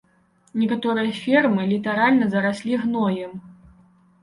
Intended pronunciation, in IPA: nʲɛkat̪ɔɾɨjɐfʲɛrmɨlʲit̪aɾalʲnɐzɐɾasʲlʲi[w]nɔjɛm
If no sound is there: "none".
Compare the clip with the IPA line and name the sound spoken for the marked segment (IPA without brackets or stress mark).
ɣ